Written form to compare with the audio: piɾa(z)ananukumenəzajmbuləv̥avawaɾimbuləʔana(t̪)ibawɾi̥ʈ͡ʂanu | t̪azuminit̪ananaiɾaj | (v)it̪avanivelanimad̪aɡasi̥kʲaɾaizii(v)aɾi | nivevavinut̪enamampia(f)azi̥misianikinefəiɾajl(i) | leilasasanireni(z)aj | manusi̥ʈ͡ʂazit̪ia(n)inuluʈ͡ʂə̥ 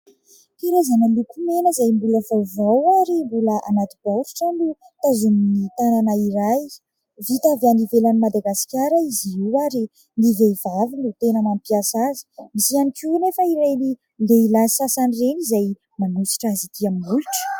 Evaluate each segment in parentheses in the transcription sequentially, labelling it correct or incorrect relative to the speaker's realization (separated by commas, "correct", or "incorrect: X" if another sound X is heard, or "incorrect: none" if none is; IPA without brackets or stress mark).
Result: correct, correct, correct, incorrect: w, incorrect: s, correct, correct, incorrect: m